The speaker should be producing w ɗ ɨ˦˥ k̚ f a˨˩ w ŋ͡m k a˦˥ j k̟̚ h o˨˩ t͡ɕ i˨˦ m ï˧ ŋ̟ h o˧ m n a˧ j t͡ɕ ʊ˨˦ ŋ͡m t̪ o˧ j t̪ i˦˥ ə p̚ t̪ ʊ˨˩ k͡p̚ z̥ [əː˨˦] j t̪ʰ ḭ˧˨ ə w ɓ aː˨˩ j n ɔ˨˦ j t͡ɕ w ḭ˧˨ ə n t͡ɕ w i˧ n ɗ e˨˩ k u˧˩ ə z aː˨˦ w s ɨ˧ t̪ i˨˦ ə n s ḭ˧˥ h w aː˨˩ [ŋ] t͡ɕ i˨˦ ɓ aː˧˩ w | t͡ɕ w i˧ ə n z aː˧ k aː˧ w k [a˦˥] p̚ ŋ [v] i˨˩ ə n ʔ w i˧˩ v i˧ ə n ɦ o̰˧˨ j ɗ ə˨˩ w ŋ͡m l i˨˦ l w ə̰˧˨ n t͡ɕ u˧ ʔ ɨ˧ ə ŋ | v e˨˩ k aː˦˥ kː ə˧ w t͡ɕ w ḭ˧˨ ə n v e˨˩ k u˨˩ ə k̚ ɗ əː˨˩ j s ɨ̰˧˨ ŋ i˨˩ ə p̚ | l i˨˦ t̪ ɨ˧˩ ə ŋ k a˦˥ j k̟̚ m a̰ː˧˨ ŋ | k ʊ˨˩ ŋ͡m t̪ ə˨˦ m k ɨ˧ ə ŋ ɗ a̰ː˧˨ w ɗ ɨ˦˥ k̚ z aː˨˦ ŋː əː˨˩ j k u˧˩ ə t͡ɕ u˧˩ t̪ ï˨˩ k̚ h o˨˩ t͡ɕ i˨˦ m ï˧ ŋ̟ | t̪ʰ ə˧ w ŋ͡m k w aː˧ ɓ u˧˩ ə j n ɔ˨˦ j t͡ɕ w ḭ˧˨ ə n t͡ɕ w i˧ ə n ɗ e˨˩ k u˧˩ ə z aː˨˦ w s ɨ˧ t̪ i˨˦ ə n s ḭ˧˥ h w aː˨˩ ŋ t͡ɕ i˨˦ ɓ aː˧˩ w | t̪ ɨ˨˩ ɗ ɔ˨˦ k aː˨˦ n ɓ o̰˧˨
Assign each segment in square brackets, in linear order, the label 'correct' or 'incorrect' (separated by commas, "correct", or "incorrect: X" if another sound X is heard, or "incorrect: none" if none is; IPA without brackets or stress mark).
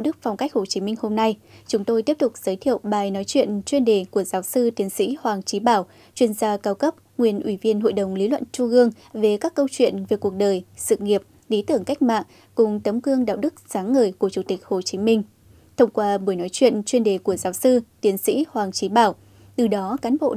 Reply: correct, correct, incorrect: ə˦˥, incorrect: w